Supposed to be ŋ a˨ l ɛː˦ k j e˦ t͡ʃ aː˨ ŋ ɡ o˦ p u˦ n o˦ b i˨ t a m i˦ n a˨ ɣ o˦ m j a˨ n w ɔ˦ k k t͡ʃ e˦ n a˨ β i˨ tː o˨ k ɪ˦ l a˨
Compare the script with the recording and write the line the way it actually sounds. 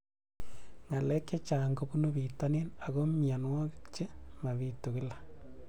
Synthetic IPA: ŋ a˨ l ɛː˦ k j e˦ t͡ʃ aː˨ ŋ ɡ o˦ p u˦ n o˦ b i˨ t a n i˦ n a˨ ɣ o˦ m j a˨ n w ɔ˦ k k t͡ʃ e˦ m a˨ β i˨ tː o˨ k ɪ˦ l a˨